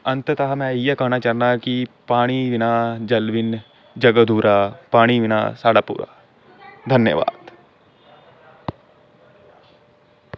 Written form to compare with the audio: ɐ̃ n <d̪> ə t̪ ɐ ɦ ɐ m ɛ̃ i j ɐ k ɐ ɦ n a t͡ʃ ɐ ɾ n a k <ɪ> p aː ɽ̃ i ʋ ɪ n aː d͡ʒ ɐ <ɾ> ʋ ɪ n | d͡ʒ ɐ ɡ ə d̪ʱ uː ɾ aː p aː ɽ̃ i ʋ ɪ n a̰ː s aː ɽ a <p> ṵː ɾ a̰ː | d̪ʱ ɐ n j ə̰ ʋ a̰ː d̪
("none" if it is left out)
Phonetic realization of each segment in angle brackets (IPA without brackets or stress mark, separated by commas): t̪, i, l, p